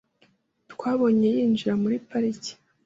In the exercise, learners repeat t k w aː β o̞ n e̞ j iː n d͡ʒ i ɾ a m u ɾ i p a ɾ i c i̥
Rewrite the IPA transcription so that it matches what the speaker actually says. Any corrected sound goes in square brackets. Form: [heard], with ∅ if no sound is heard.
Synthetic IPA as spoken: t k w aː β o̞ [ɲ] e̞ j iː n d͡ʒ i ɾ a m u ɾ i p a ɾ i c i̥